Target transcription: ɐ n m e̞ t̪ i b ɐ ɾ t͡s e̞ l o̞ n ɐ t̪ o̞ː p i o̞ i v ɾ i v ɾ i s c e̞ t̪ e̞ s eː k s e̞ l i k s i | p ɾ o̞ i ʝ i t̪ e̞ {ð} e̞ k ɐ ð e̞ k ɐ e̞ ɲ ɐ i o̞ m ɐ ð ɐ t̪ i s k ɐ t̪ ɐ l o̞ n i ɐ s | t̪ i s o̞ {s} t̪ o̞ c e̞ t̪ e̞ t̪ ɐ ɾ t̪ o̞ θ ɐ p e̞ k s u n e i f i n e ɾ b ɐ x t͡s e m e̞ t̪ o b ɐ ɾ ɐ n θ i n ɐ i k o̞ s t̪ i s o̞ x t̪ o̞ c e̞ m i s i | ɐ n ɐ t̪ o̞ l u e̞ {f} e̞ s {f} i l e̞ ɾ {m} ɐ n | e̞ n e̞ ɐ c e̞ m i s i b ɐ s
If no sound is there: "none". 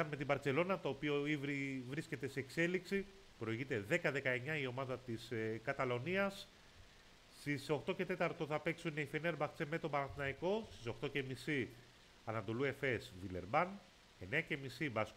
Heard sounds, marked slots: ð, x, f, v, b

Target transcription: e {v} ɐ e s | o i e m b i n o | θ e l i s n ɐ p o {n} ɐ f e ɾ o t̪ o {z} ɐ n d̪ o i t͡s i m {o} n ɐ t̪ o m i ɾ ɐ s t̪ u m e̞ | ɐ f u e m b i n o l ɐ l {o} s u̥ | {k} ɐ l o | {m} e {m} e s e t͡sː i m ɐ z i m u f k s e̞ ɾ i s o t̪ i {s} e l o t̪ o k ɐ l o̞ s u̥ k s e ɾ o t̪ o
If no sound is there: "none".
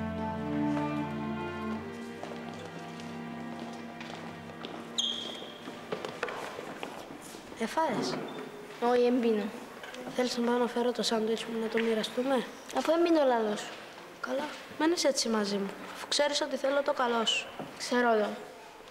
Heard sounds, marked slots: f, n, s, u, o, k, m, n, θ

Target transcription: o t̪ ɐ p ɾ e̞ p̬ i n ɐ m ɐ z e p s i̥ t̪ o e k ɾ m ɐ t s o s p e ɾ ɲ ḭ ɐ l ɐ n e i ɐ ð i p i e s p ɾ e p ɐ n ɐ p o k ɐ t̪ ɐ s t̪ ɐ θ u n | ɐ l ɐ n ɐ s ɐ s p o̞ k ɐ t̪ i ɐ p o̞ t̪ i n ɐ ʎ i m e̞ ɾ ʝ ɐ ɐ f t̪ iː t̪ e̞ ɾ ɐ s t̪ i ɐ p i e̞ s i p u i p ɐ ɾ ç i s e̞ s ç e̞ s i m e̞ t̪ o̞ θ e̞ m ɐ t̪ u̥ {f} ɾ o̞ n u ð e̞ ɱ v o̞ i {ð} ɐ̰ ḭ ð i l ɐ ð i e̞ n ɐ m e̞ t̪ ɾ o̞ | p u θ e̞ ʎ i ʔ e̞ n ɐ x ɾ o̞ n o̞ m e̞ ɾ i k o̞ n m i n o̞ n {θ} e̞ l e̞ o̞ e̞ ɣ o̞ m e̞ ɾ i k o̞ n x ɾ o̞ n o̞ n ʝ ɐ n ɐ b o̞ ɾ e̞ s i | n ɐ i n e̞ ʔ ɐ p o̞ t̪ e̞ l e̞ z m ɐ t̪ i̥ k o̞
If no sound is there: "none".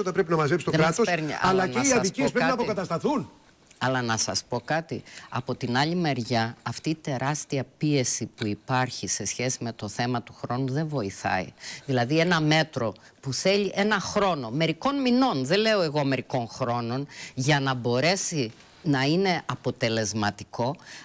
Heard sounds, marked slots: x, θ, ð

